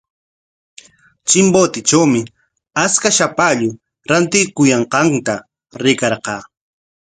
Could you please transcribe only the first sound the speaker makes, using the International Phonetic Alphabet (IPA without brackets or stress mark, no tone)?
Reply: t͡ʃ